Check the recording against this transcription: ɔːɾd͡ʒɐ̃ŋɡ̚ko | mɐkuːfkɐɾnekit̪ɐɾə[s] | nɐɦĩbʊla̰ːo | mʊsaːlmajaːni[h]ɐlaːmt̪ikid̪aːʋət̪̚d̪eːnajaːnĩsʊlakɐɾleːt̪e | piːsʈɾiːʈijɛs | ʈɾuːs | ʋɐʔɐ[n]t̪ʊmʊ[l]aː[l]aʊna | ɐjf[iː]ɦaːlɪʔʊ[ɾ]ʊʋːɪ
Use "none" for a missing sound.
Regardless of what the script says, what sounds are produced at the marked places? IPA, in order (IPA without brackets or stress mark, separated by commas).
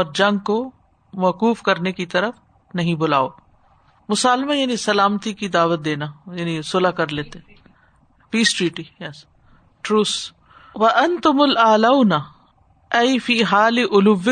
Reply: f, s, n, l, l, iː, l